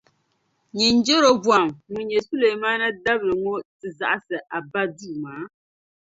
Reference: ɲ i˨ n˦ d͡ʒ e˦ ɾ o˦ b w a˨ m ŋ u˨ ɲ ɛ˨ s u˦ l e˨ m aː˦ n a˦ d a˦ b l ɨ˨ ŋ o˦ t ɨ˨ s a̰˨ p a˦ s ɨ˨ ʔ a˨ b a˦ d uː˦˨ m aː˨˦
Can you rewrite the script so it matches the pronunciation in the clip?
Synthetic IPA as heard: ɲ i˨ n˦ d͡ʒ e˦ ɾ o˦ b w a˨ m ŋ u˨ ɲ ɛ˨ s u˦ l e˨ m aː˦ n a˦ d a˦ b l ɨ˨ ŋ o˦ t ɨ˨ z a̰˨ ʔ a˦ s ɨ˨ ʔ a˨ b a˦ d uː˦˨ m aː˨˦